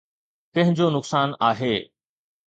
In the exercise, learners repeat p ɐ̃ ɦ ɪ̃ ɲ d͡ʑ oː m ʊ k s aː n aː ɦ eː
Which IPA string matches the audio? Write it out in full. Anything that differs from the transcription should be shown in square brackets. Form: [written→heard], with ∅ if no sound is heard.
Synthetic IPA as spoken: [p→k] ɐ̃ ɦ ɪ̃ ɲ d͡ʑ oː [m→n] ʊ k s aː n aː ɦ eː